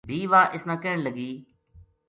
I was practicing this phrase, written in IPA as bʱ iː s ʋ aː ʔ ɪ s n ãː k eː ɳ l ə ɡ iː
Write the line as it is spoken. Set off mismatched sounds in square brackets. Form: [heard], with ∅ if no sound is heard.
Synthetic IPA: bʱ iː [∅] ʋ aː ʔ ɪ s n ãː k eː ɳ l ə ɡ iː

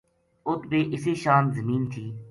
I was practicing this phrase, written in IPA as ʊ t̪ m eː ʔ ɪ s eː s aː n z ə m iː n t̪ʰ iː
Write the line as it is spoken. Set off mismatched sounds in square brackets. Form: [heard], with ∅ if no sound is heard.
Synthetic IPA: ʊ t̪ [b] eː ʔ ɪ s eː [ʃ] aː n z ə m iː n t̪ʰ iː

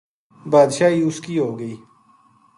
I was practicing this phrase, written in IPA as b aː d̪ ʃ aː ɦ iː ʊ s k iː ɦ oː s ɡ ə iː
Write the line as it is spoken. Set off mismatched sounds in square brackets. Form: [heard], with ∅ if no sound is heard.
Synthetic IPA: b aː d̪ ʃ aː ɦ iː ʊ s k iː ɦ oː [∅] ɡ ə iː

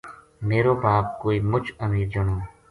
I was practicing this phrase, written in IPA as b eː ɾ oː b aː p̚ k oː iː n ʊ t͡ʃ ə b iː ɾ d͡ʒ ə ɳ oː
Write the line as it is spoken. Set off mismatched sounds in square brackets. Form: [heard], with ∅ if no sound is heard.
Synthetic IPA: [m] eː ɾ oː b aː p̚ k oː iː [m] ʊ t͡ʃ ə [m] iː ɾ d͡ʒ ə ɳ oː

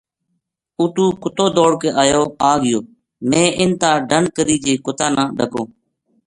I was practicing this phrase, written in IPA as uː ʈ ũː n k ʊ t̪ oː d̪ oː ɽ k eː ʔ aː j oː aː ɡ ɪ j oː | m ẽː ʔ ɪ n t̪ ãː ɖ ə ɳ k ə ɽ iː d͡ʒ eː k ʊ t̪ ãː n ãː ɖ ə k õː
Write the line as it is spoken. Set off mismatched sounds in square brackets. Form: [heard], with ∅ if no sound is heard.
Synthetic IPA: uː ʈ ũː [∅] k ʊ t̪ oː d̪ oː ɽ k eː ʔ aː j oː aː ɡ ɪ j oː | m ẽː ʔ ɪ n t̪ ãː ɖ ə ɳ k ə [ɾ] iː d͡ʒ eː k ʊ t̪ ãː n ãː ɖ ə k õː

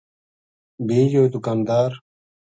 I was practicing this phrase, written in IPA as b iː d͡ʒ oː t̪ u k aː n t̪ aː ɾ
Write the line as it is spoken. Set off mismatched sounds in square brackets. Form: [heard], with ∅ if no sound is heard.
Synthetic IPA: b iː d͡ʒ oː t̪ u k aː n [d̪] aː ɾ

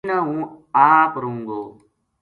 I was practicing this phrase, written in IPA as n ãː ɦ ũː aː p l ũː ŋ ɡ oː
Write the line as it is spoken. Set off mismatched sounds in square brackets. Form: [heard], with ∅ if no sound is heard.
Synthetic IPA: n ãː ɦ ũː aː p [ɾ] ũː ŋ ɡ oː

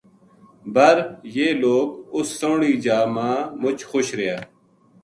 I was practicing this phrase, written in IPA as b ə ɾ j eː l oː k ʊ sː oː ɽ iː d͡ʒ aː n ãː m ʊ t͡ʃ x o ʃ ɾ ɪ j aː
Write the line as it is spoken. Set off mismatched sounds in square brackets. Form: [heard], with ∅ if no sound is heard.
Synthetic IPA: b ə ɾ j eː l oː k ʊ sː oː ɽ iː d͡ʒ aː [m] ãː m ʊ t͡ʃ x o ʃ ɾ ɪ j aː

